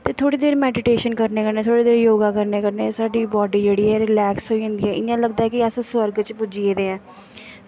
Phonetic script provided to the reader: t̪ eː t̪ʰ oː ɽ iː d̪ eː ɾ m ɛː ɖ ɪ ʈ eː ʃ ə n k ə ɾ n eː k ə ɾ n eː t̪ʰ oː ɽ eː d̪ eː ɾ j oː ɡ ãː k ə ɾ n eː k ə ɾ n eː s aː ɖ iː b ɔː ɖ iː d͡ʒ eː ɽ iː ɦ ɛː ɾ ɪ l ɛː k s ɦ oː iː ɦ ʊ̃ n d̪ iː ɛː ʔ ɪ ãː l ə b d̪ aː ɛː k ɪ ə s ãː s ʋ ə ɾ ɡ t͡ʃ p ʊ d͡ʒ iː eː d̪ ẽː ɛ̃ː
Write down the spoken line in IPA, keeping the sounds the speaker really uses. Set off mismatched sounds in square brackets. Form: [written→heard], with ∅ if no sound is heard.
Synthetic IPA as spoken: t̪ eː t̪ʰ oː ɽ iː d̪ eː ɾ m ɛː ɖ ɪ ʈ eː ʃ ə n k ə ɾ n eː k ə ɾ n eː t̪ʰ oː ɽ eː d̪ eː ɾ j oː ɡ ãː k ə ɾ n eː k ə ɾ n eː s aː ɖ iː b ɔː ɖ iː d͡ʒ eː ɽ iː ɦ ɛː ɾ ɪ l ɛː k s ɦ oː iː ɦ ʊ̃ n d̪ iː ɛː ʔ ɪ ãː l ə [b→ɡ] d̪ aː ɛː k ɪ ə s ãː s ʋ ə ɾ ɡ t͡ʃ p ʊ d͡ʒ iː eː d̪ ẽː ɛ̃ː